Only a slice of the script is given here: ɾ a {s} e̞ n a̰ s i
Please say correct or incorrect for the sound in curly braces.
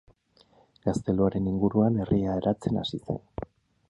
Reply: incorrect